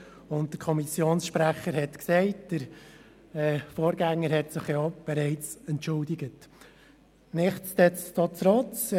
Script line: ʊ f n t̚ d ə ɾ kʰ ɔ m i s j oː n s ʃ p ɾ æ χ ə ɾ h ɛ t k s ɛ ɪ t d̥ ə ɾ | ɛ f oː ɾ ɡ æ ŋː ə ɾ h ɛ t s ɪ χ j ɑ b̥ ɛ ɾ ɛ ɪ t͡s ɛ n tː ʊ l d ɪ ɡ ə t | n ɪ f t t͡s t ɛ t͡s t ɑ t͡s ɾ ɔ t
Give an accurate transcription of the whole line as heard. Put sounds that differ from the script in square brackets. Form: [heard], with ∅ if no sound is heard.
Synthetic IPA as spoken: ʊ [∅] n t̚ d ə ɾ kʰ ɔ m i s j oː n s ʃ p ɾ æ χ ə ɾ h ɛ t k s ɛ ɪ t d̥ ə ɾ | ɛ f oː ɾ ɡ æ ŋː ə ɾ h ɛ t s ɪ χ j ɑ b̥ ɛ ɾ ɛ ɪ t͡s ɛ n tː ʊ l d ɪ ɡ ə t | n ɪ [χ] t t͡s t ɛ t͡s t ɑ t͡s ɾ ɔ [t͡s]